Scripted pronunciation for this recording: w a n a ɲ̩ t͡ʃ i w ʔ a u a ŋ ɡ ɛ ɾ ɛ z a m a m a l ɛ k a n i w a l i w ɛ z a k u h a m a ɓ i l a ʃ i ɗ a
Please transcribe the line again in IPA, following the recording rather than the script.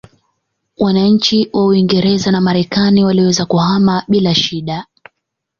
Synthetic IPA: w a n a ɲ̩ t͡ʃ i w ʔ a u i ŋ ɡ ɛ ɾ ɛ z a n a m a ɾ ɛ k a n i w a l i w ɛ z a k u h a m a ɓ i l a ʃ i ɗ a